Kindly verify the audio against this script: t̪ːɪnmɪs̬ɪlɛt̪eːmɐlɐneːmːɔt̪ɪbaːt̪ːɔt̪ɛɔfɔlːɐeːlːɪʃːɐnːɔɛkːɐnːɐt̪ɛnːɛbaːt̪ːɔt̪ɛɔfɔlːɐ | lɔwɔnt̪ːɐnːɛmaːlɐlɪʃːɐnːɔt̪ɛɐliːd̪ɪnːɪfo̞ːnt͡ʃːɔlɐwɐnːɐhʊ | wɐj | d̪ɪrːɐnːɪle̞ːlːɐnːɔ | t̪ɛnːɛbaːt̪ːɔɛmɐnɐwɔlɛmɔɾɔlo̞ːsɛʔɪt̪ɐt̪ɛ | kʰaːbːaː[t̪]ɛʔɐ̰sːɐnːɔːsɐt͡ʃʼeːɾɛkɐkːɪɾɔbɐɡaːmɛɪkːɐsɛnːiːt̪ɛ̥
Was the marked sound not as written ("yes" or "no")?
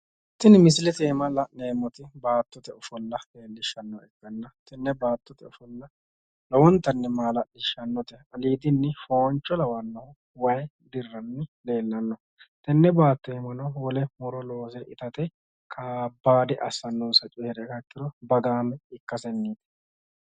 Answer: yes